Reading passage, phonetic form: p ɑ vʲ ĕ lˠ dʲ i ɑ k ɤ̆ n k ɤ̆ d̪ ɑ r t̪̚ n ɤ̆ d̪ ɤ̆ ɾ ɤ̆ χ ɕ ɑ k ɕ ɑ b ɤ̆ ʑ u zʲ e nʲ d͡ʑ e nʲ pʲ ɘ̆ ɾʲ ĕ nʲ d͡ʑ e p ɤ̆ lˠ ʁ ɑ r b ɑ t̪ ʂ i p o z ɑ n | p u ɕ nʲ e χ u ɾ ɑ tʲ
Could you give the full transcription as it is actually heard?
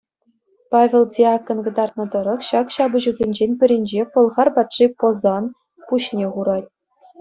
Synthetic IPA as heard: p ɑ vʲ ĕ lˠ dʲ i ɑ k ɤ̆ n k ɤ̆ d̪ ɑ r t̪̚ n ɤ̆ d̪ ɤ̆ ɾ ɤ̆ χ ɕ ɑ k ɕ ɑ b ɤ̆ ʑ u zʲ e nʲ d͡ʑ e nʲ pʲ ɘ̆ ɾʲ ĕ nʲ d͡ʑ e p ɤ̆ lˠ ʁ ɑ r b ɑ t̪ ʂ i p o z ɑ n | p u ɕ nʲ e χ u ɾ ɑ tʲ